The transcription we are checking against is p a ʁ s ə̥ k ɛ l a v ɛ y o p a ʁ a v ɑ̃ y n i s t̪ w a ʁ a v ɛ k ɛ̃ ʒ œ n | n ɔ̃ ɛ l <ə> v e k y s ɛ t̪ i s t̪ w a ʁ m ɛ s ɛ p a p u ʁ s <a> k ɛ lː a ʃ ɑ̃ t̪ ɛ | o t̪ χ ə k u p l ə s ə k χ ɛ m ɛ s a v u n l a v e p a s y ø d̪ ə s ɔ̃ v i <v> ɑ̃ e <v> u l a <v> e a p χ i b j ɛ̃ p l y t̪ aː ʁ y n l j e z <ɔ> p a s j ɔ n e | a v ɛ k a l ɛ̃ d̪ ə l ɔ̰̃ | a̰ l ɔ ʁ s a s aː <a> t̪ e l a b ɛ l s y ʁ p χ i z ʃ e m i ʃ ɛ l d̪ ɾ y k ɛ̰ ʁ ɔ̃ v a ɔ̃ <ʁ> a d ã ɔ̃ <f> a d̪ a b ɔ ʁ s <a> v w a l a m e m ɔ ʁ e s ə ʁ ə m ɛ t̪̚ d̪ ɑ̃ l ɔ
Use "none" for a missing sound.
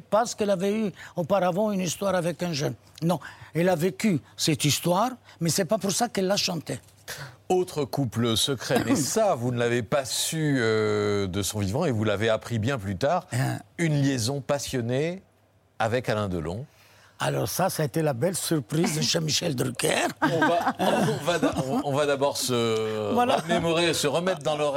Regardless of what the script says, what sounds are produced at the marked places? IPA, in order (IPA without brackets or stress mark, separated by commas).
a, a, v, v, v, ɔ̃, e, v, v, ə